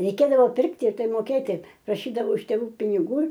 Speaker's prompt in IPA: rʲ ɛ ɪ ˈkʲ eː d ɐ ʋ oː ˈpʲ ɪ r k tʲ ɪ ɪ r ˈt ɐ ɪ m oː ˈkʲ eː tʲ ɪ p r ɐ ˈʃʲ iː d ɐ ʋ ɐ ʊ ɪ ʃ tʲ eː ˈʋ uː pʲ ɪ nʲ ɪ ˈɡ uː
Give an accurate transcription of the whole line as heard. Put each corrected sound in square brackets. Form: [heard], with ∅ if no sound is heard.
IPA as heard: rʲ ɛ ɪ ˈkʲ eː d ɐ ʋ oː ˈpʲ ɪ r k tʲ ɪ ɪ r ˈt ɐ ɪ m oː ˈkʲ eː tʲ ɪ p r ɐ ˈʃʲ iː d ɐ ʋ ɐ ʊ ɪ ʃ tʲ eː ˈʋ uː pʲ ɪ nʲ ɪ ˈɡ uː